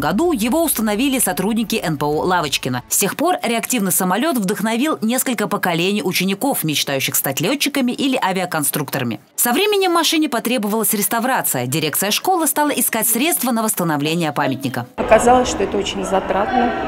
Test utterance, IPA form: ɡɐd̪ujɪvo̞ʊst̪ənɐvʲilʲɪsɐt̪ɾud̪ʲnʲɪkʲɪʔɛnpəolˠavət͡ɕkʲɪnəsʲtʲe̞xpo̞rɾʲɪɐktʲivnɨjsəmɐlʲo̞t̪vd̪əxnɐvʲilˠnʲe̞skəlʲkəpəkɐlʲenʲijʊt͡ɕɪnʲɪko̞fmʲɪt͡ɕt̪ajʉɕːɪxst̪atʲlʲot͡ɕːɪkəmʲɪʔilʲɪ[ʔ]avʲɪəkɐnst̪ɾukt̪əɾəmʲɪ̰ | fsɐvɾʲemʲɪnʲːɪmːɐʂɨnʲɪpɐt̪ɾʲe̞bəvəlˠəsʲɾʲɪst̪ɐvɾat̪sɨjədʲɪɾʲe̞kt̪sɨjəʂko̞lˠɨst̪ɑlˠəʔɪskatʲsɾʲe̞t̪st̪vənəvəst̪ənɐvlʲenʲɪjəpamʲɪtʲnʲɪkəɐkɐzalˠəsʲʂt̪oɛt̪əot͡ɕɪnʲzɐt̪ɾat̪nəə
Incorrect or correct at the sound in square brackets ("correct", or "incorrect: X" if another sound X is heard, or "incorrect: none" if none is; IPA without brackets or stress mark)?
correct